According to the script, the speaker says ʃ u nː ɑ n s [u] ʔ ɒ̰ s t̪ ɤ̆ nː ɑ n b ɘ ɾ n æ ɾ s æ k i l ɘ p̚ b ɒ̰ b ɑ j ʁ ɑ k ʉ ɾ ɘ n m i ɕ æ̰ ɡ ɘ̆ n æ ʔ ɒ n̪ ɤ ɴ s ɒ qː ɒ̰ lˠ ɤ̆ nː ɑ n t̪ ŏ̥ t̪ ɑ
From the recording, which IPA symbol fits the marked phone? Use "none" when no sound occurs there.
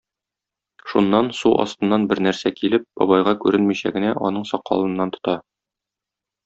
u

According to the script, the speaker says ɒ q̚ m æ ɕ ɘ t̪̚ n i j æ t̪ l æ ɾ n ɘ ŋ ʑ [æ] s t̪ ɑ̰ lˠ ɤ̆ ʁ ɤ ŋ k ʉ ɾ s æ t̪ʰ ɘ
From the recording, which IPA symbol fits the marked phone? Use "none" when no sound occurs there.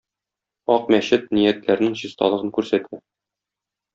i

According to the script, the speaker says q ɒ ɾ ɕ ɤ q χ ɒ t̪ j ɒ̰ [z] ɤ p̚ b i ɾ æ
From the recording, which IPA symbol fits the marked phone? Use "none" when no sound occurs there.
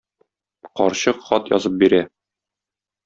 z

